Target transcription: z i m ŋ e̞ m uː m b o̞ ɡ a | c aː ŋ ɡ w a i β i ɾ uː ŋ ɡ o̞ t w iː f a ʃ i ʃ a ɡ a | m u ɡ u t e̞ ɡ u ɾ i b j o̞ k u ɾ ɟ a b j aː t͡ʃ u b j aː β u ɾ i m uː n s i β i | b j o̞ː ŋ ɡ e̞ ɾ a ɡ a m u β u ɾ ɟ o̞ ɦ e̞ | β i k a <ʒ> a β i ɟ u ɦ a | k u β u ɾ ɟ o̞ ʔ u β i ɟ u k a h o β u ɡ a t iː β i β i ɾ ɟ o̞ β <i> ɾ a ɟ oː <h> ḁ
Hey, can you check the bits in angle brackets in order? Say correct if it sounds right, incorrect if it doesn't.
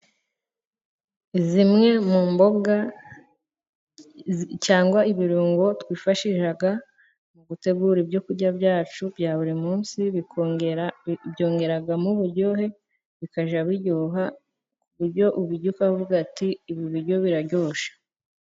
correct, correct, incorrect

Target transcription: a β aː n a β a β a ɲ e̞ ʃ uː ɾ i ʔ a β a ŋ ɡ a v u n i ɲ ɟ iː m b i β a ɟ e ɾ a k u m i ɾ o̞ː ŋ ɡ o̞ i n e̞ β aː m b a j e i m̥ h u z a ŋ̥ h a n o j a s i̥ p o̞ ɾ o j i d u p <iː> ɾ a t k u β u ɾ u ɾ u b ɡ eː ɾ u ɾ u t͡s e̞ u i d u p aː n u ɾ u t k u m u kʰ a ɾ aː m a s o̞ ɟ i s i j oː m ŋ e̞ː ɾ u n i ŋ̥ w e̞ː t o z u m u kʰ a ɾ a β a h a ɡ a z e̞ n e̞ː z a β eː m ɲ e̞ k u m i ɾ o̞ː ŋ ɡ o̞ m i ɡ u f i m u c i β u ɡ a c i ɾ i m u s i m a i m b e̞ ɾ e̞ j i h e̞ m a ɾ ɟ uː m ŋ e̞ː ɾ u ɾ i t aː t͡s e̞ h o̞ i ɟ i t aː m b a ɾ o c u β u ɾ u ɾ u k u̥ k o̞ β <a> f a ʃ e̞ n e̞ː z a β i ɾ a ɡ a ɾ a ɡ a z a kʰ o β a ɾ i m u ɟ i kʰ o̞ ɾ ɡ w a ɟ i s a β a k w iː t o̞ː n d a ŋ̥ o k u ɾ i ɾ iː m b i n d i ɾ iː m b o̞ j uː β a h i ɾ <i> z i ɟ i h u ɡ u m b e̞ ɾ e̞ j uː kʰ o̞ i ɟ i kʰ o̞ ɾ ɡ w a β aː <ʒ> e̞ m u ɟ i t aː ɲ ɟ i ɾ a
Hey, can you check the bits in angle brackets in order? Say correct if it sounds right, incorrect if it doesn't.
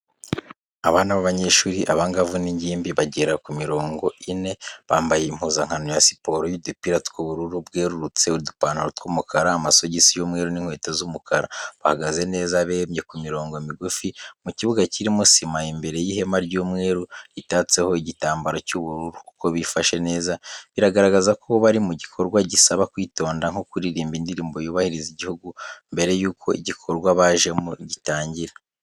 incorrect, incorrect, correct, correct

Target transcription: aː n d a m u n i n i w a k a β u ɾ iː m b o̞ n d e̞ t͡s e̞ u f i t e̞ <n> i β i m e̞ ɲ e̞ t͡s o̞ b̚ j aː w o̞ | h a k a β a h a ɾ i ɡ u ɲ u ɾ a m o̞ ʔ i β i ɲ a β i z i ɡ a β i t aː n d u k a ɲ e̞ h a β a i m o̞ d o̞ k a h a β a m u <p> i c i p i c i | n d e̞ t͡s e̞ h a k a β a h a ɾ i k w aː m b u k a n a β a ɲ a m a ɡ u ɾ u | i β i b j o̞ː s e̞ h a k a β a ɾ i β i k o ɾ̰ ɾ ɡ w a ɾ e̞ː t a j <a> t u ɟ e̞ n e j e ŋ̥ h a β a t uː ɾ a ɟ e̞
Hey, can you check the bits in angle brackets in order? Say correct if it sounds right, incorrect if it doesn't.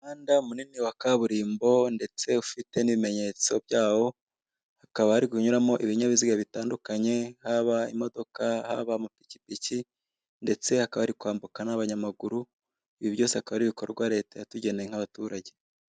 correct, correct, correct

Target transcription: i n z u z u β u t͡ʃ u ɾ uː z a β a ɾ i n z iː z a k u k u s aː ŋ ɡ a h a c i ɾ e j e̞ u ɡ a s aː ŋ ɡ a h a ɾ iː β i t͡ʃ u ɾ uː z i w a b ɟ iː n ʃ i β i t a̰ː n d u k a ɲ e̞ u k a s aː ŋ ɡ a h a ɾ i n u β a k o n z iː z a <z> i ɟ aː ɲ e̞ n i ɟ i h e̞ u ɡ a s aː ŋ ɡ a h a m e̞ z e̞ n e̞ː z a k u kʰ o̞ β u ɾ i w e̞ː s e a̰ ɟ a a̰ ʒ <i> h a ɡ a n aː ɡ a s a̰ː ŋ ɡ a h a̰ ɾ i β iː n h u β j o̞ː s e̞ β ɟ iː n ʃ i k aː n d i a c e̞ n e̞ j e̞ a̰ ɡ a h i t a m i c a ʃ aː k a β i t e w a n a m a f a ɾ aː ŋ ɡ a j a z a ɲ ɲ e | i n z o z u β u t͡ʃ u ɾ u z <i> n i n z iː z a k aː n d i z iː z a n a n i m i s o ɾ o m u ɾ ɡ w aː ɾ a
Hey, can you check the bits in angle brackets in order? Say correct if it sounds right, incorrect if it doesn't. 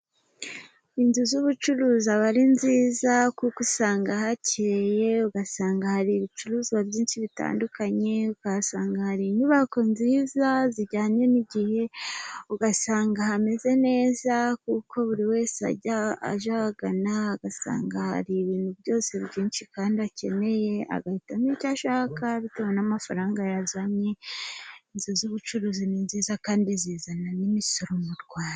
correct, incorrect, correct

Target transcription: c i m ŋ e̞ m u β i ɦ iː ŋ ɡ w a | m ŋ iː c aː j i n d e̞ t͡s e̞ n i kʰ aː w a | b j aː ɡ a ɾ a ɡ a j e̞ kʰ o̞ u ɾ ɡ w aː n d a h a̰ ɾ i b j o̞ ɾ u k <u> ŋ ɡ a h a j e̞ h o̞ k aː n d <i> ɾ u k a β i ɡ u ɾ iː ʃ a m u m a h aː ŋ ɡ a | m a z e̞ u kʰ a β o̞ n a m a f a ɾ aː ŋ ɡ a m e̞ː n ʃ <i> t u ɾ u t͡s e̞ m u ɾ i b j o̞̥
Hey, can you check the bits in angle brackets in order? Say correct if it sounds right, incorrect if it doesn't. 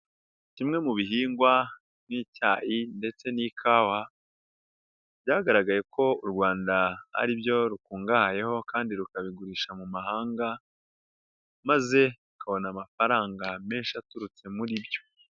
incorrect, correct, incorrect

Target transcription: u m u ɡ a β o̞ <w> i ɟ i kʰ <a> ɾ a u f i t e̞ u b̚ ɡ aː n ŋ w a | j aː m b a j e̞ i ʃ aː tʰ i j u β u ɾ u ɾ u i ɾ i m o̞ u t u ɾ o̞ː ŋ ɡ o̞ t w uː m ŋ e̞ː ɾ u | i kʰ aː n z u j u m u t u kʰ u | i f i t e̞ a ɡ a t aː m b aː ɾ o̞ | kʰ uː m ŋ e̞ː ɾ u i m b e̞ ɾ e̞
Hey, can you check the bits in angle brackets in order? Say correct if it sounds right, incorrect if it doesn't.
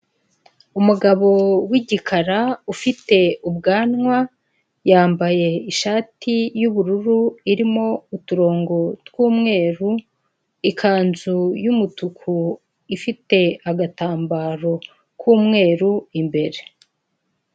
correct, correct

